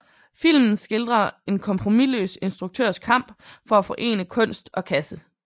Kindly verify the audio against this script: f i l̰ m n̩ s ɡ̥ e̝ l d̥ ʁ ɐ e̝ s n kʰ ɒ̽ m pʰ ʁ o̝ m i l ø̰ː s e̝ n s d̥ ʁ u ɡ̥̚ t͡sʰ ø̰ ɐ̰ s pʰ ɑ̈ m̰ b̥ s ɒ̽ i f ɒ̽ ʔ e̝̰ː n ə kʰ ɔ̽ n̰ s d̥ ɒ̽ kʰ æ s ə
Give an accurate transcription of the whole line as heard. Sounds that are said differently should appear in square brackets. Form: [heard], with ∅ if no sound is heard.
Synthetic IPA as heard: f i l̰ m n̩ s ɡ̥ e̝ l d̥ ʁ ɐ e̝ [∅] n kʰ ɒ̽ m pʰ ʁ o̝ m i l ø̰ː s e̝ n s d̥ ʁ u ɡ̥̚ t͡sʰ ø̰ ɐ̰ s [kʰ] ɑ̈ m̰ b̥ [f] ɒ̽ [æ] f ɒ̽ ʔ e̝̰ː n ə kʰ ɔ̽ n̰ s d̥ ɒ̽ kʰ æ s ə

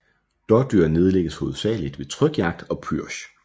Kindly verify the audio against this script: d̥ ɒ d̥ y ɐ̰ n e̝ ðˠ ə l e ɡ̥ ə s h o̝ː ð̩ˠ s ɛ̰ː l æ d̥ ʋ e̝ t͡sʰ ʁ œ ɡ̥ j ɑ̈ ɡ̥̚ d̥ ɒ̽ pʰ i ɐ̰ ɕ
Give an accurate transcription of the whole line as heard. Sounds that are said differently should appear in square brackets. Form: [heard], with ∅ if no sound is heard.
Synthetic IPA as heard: d̥ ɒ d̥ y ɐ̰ n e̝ ðˠ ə l e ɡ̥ ə s h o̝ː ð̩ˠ s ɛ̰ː l [i] d̥ ʋ e̝ t͡sʰ ʁ œ ɡ̥ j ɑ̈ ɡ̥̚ d̥ ɒ̽ pʰ [y] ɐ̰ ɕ

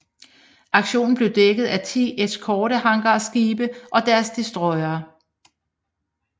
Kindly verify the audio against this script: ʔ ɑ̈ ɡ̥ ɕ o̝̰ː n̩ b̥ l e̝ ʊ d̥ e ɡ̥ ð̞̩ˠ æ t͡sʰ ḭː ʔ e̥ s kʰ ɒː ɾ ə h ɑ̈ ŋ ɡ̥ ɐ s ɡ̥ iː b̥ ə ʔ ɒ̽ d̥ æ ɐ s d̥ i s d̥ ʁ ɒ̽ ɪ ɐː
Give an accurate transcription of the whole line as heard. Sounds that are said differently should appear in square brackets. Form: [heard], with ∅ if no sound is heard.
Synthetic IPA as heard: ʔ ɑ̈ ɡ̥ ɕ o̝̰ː n̩ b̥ l e̝ ʊ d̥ e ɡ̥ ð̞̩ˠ æ t͡sʰ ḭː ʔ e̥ s kʰ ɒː ɾ ə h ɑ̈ ŋ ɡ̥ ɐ s ɡ̥ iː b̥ ə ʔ ɒ̽ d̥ æ ɐ s d̥ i s d̥ ʁ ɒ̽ ɪ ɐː

